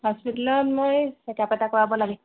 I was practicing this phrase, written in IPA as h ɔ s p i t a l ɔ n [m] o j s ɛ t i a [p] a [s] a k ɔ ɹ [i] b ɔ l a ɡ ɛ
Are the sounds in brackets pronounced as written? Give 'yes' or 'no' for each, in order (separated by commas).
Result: yes, yes, no, no